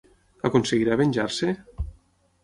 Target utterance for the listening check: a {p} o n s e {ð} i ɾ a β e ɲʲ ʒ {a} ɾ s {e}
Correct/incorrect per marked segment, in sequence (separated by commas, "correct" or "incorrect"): incorrect, incorrect, correct, correct